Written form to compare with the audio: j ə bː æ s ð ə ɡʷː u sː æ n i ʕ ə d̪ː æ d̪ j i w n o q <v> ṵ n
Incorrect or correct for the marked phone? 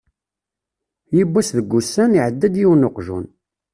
incorrect: ʒ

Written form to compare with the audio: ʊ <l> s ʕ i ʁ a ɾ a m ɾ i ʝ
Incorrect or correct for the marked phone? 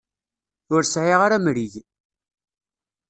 incorrect: ɾ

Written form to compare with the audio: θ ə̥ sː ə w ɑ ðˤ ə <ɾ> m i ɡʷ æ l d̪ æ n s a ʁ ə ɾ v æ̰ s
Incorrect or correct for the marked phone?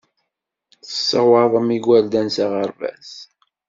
incorrect: none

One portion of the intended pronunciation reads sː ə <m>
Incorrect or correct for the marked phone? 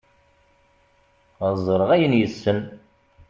incorrect: n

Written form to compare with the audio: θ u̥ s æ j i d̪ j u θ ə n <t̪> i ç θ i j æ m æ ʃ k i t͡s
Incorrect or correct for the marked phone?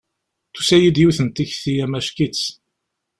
correct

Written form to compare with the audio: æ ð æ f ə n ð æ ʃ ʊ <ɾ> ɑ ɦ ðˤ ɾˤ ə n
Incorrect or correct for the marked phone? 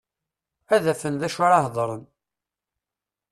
correct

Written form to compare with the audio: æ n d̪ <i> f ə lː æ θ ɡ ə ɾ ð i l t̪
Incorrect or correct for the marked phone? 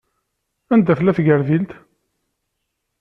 incorrect: æ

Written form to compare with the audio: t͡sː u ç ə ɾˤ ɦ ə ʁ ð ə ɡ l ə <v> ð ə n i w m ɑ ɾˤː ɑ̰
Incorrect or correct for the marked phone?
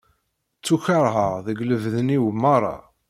correct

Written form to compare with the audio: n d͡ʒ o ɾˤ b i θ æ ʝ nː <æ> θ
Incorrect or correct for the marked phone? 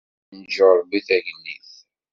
incorrect: i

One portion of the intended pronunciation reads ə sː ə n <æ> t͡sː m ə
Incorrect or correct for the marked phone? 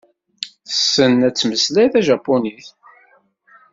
correct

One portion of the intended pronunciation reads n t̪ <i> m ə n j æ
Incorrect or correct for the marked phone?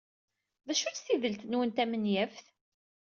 incorrect: æ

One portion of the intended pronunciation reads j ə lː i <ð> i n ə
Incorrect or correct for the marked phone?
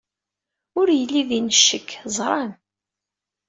correct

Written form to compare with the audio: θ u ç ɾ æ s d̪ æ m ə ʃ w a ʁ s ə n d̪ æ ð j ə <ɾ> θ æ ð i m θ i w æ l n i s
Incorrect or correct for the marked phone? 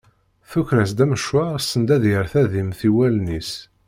correct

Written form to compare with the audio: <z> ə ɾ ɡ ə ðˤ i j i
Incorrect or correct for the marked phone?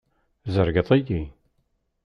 correct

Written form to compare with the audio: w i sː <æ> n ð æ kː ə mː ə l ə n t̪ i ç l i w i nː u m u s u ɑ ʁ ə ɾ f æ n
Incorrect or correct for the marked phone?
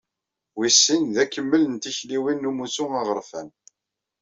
incorrect: i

